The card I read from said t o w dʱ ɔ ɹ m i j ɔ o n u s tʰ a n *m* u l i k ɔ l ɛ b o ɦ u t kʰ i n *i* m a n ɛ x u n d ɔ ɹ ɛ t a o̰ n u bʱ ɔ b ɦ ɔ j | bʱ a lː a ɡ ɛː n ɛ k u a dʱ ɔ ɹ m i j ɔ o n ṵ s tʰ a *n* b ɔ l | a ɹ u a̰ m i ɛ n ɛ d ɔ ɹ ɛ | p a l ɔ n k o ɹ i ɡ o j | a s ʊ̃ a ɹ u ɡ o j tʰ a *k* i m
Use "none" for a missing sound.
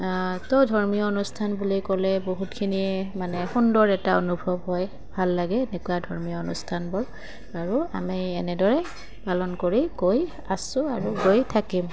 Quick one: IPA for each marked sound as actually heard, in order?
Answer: b, i, n, k

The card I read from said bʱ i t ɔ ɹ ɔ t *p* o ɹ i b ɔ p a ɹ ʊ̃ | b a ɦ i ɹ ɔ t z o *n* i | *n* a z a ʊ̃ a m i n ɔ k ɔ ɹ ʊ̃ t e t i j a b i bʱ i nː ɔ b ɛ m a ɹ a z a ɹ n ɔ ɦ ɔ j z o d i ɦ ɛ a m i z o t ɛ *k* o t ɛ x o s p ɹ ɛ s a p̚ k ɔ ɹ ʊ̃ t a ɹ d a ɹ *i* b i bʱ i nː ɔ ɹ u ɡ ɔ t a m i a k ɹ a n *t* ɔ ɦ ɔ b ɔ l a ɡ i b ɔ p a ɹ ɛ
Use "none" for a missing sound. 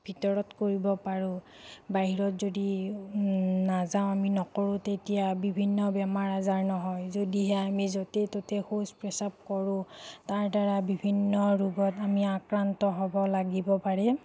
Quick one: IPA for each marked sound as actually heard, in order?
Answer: k, d, n, t, a, t

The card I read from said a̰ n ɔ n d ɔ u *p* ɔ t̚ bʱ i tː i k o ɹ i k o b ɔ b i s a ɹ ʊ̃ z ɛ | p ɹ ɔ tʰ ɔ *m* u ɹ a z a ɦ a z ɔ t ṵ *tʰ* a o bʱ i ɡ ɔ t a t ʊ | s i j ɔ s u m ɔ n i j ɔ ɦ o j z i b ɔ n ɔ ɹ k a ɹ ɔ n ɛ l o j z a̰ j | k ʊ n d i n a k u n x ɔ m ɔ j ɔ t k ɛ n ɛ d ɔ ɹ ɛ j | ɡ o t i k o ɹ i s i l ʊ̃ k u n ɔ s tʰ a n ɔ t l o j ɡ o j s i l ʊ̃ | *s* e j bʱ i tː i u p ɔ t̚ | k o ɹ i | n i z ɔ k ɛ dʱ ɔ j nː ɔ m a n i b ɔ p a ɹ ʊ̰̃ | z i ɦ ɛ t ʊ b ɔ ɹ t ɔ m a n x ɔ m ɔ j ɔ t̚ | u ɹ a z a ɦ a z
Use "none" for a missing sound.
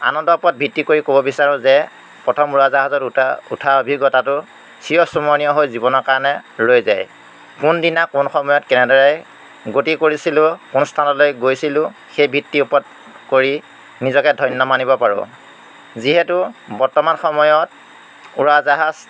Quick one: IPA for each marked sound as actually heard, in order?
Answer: p, m, tʰ, x

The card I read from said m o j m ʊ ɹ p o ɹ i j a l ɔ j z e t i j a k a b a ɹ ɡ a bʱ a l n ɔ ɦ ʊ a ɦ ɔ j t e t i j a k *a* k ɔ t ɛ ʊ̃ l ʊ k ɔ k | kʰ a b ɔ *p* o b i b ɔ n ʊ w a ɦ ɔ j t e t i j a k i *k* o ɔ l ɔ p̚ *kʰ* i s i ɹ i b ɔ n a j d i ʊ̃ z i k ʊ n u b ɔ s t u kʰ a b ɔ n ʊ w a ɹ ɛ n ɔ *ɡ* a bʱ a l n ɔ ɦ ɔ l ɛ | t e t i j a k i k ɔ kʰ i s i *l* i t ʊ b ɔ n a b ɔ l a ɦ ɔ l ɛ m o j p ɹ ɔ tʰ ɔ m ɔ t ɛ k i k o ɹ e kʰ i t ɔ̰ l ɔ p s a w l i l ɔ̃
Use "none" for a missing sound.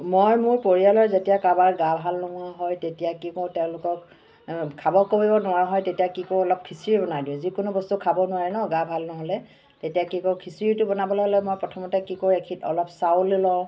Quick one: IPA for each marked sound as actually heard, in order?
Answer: i, k, k, kʰ, ɡ, ɹ

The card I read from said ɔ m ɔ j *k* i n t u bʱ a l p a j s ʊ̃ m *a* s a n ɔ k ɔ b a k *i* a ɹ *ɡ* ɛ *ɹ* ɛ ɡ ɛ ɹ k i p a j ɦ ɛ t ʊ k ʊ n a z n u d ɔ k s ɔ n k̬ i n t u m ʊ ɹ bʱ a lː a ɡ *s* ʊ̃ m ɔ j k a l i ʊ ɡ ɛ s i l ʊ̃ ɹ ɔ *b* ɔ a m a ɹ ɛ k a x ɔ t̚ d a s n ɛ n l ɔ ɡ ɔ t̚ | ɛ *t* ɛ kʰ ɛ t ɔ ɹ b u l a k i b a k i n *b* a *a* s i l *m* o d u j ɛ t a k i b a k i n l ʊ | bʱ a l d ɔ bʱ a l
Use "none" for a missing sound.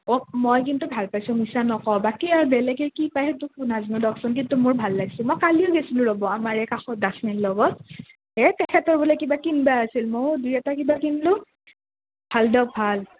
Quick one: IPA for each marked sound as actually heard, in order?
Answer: k, i, i, b, l, s, b, t, b, a, m

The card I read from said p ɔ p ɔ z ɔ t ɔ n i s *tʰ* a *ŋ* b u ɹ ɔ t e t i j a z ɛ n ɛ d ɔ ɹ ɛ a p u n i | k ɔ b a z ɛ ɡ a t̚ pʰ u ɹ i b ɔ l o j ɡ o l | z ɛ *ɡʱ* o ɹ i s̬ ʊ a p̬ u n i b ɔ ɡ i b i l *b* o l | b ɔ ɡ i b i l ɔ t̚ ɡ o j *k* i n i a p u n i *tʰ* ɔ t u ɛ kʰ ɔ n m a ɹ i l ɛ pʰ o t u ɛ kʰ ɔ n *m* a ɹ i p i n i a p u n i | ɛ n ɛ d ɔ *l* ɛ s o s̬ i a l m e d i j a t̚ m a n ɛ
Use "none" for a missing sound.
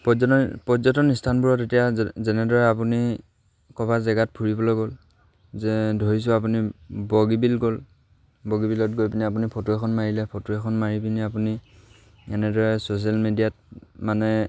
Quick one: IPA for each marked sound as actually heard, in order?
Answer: tʰ, n, dʱ, ɡ, p, pʰ, m, ɹ

